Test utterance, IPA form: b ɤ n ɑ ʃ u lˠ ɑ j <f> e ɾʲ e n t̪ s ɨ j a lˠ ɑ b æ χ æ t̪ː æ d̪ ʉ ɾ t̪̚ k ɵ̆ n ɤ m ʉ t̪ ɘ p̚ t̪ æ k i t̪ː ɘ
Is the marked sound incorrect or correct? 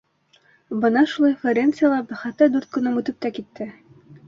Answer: correct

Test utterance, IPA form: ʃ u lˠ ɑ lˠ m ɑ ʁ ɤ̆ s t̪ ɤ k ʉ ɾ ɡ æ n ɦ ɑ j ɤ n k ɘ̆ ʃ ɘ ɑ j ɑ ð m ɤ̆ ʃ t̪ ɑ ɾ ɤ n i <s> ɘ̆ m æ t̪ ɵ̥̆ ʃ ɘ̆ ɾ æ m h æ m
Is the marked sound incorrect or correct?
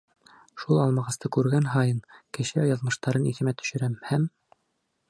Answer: incorrect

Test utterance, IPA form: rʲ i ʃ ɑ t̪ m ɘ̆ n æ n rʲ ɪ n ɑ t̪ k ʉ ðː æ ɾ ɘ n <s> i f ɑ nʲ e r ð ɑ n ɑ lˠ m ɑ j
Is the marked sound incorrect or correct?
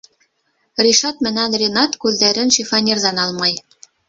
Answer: incorrect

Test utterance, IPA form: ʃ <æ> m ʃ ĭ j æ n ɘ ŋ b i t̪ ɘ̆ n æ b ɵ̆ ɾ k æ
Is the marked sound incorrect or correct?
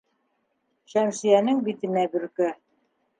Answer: correct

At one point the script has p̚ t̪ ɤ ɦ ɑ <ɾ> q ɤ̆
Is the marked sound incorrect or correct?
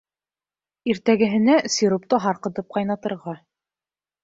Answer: correct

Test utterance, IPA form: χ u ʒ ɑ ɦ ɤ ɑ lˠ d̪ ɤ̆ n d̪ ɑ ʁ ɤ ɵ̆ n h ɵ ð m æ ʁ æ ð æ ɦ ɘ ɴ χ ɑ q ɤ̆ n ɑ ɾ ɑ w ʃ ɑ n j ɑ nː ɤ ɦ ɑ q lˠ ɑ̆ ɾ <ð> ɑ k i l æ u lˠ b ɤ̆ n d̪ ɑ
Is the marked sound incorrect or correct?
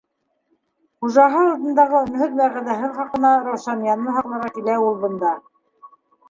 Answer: incorrect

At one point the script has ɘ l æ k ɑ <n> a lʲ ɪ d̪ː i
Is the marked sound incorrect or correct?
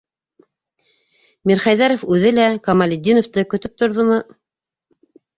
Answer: incorrect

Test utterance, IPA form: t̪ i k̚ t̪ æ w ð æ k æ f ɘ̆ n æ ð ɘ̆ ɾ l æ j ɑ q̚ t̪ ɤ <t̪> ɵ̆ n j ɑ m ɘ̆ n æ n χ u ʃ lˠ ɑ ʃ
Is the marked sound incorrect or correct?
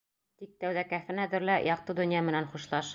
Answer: incorrect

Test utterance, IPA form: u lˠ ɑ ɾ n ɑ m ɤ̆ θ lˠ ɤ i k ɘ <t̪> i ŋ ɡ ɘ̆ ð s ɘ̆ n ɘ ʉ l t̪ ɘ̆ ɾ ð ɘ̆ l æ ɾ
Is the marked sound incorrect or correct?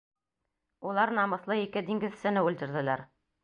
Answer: incorrect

